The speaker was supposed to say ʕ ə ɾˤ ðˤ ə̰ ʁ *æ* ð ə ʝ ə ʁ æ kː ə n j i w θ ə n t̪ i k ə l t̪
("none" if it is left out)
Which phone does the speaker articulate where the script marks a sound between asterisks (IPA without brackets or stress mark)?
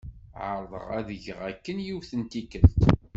æ